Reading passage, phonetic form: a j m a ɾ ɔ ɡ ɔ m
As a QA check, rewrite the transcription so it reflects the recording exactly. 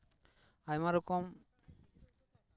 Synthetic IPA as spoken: a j m a ɾ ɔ k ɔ m

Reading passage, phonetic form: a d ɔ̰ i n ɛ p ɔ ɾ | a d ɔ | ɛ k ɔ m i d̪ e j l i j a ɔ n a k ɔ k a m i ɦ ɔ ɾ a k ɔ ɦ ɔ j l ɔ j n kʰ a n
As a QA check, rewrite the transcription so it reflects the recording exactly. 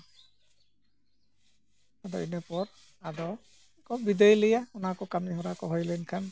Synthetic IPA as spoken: a d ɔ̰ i n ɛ p ɔ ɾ | a d ɔ | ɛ k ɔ b i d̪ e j l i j a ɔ n a k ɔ k a m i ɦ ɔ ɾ a k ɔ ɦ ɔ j l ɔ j n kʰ a n

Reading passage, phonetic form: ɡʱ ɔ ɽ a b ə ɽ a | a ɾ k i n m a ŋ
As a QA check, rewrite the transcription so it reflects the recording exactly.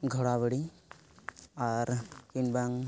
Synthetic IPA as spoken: ɡʱ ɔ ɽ a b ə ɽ i | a ɾ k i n b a ŋ

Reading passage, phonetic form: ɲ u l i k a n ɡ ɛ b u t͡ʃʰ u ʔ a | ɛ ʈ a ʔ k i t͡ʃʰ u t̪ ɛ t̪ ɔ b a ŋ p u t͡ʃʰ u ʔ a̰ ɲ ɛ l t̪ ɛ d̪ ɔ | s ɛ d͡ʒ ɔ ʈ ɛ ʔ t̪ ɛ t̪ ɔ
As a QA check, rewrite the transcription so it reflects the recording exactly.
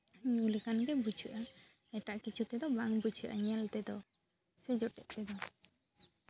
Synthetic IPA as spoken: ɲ u l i k a n ɡ ɛ b u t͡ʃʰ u ʔ a | ɛ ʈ a ʔ k i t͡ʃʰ u t̪ ɛ d̪ ɔ b a ŋ b u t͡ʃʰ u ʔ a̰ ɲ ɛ l t̪ ɛ d̪ ɔ | s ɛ d͡ʒ ɔ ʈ ɛ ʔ t̪ ɛ d̪ ɔ

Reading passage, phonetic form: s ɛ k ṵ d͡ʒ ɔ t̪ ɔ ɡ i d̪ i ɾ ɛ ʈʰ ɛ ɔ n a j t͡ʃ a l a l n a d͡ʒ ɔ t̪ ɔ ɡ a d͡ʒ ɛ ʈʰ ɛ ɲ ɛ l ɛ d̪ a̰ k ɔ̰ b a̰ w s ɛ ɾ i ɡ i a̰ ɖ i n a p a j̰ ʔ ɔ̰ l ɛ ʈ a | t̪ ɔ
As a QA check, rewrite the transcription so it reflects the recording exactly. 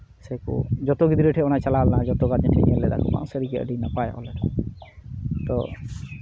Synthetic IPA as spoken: s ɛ k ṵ d͡ʒ ɔ t̪ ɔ ɡ i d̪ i ɾ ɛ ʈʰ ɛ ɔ n a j t͡ʃ a l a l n a d͡ʒ ɔ t̪ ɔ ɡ a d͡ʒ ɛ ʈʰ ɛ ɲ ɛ l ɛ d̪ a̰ k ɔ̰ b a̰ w s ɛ ɾ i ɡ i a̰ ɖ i n a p a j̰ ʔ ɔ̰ l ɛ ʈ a | t̪ ɔ

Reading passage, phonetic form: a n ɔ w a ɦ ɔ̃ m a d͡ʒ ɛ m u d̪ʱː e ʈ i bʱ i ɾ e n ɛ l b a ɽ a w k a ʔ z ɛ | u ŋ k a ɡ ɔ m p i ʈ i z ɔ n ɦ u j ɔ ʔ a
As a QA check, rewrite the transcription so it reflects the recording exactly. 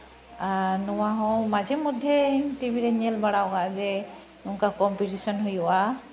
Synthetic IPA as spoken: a n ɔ w a ɦ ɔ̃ m a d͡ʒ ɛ m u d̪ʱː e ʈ i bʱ i ɾ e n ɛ l b a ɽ a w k a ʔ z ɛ | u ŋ k a k ɔ m p i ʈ i s ɔ n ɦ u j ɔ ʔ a

